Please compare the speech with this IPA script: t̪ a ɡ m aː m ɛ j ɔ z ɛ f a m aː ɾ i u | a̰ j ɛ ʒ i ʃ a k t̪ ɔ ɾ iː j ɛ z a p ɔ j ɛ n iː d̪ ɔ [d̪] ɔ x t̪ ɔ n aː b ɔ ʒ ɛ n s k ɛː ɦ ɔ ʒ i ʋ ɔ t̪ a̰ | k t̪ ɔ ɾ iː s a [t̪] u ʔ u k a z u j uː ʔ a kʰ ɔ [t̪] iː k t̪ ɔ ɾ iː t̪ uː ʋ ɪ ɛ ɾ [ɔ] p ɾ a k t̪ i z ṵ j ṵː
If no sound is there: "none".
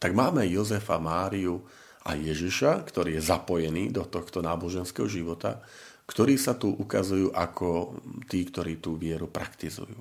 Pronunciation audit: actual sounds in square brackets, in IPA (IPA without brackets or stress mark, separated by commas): t̪, t̪, t̪, u